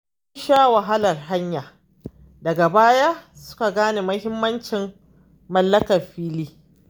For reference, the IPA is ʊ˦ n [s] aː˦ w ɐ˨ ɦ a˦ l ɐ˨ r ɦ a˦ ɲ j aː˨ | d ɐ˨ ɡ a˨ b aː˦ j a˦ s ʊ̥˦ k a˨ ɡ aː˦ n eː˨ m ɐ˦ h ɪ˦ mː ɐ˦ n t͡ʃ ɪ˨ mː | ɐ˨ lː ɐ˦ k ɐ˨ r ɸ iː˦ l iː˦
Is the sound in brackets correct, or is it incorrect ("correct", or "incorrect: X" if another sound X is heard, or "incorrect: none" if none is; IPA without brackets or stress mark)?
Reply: incorrect: ʃ